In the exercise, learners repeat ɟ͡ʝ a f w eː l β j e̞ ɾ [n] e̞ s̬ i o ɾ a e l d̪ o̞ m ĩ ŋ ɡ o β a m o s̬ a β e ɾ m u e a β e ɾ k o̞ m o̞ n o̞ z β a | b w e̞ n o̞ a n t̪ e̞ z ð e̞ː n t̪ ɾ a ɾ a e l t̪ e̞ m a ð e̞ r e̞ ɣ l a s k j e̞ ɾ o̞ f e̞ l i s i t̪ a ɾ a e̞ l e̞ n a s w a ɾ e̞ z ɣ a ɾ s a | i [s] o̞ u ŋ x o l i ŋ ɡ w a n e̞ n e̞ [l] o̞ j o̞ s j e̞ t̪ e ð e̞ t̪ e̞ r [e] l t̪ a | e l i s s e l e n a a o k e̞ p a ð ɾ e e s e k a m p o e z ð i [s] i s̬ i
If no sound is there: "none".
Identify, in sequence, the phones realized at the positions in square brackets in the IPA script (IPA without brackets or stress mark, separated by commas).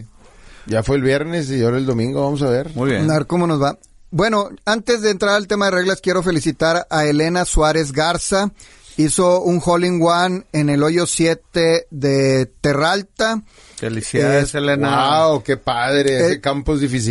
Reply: n, s, l, a, f